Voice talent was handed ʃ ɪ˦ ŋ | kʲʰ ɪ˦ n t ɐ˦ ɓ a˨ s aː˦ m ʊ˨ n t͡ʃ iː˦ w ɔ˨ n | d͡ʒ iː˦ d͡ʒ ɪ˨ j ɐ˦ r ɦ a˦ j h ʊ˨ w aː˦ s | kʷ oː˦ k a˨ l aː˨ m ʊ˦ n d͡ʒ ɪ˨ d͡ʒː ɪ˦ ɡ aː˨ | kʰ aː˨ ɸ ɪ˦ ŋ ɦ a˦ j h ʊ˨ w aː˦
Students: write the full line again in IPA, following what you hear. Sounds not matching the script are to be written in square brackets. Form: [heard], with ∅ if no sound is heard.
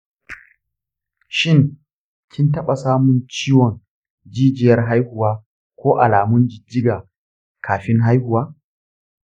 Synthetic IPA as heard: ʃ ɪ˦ ŋ | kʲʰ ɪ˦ n t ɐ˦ ɓ a˨ s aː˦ m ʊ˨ n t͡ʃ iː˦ w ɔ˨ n | d͡ʒ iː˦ d͡ʒ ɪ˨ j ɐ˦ r ɦ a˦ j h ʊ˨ w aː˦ [∅] | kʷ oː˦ [ʔ] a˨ l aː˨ m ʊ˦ n d͡ʒ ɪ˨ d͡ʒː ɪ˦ ɡ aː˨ | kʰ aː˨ ɸ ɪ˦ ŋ ɦ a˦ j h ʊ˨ w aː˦